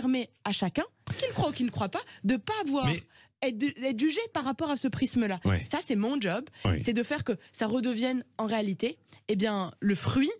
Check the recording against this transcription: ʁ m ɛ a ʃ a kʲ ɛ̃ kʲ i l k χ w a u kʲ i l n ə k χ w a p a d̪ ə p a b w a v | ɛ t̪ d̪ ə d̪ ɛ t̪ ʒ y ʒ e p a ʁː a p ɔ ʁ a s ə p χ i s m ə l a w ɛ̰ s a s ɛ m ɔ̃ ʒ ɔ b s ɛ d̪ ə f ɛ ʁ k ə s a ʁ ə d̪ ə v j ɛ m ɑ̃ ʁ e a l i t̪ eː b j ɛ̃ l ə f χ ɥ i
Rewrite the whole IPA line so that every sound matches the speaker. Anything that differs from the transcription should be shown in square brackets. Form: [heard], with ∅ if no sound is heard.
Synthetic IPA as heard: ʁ m ɛ a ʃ a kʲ ɛ̃ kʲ i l k χ w a u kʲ i l n ə k χ w a p a d̪ ə p a [v] w a [ʁ] | ɛ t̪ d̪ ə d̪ ɛ t̪ ʒ y ʒ e p a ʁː a p ɔ ʁ a s ə p χ i s m ə l a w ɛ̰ s a s ɛ m ɔ̃ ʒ ɔ b s ɛ d̪ ə f ɛ ʁ k ə s a ʁ ə d̪ ə v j ɛ [n] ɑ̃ ʁ e a l i t̪ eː b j ɛ̃ l ə f χ ɥ i